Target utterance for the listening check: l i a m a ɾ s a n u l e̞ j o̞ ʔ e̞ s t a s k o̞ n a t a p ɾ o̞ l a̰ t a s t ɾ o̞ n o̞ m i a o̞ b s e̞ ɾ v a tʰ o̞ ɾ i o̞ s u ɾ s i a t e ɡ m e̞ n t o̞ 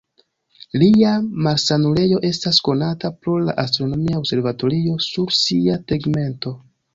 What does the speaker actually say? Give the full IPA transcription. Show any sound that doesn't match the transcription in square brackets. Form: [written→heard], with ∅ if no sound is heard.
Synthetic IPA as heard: l i a m a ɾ s a n u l e̞ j o̞ ʔ e̞ s t a s k o̞ n a t a p ɾ o̞ l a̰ [t→ʔ] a s t ɾ o̞ n o̞ m i a o̞ b s e̞ ɾ v a [tʰ→t] o̞ ɾ i o̞ s u ɾ s i a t e ɡ m e̞ n t o̞